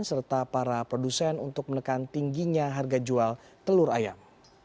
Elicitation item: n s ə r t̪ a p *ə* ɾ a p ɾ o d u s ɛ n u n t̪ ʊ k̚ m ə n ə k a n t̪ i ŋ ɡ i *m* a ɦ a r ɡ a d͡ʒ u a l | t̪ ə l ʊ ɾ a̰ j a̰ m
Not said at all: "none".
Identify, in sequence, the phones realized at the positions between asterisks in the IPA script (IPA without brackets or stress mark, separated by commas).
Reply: a, ɲ